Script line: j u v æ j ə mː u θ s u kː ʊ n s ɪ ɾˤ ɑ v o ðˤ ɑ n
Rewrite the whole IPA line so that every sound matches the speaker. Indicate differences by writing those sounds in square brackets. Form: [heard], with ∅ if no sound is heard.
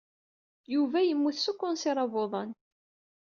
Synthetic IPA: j u v æ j ə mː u θ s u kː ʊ n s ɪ ɾˤ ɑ v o ðˤ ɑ n